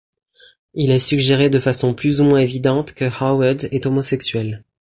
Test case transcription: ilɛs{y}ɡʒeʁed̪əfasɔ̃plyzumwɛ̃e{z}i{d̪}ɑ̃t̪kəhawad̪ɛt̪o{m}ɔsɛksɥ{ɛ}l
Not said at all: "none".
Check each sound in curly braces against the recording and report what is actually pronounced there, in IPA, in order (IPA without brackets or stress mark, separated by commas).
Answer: y, v, d̪, m, ɛ